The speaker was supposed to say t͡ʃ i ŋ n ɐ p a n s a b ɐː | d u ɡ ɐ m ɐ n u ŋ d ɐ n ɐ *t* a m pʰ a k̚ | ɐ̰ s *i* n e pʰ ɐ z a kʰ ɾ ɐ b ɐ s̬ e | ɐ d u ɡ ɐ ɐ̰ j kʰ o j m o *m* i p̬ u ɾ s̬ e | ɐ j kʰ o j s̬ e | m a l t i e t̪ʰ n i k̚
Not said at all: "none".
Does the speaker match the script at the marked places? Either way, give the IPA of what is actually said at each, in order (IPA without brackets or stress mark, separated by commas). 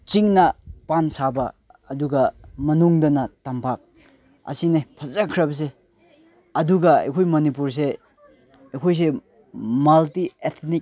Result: t, i, n